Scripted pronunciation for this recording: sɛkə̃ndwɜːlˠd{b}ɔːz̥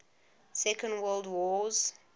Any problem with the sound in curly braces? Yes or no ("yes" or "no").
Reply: yes